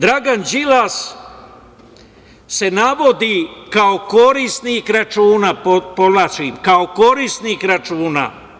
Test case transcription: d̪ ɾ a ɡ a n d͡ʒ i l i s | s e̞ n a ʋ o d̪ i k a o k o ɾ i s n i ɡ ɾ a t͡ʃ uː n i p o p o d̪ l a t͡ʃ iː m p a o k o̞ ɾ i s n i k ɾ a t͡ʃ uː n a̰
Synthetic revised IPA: d̪ ɾ a ɡ a n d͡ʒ i l a s | s e̞ n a ʋ o d̪ i k a o k o ɾ i s n i k ɾ a t͡ʃ uː n a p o p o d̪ l a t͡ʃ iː m k a o k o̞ ɾ i s n i k ɾ a t͡ʃ uː n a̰